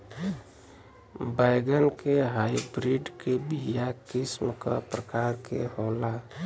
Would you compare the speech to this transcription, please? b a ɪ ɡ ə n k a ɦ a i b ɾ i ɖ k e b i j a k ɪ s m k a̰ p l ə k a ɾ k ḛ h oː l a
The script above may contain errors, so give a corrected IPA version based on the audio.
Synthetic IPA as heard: b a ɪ ɡ ə n k e ɦ a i b ɾ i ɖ k e b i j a k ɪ s m k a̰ p ɾ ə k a ɾ k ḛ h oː l a